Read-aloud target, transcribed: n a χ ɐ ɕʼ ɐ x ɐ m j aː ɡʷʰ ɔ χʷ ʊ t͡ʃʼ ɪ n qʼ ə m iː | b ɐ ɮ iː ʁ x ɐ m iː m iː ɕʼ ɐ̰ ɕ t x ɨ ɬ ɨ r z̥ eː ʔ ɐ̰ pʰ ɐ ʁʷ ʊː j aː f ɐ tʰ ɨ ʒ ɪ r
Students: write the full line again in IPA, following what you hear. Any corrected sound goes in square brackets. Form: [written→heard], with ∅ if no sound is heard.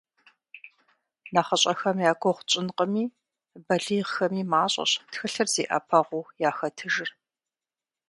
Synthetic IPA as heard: n a χ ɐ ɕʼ ɐ x ɐ m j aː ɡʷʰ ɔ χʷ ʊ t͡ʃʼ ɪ n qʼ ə m iː | b ɐ ɮ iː ʁ x ɐ m iː m [iː→aː] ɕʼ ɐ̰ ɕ t x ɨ ɬ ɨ r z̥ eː ʔ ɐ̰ pʰ ɐ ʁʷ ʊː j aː [f→x] ɐ tʰ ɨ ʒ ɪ r